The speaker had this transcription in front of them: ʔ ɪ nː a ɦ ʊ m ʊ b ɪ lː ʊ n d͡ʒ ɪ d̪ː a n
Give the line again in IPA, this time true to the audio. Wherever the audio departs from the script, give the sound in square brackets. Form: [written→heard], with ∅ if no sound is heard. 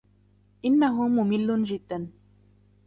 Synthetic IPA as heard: ʔ ɪ nː a ɦ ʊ m ʊ [b→m] ɪ lː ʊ n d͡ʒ ɪ d̪ː a n